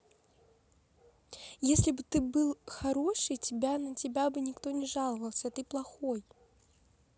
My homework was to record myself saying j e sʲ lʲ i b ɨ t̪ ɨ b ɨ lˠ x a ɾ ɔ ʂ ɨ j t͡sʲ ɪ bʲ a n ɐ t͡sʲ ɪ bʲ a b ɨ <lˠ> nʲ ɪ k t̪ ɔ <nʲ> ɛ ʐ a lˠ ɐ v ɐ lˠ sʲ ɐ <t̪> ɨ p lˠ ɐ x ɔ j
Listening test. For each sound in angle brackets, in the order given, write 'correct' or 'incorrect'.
incorrect, correct, correct

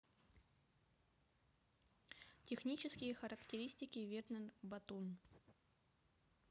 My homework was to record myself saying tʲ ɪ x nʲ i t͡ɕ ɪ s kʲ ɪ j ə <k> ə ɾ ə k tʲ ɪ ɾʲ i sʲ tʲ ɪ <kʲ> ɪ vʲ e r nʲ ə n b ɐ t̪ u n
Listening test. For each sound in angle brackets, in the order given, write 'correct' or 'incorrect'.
incorrect, correct

